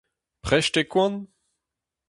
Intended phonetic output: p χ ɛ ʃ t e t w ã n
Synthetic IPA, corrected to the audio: p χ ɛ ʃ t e k w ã n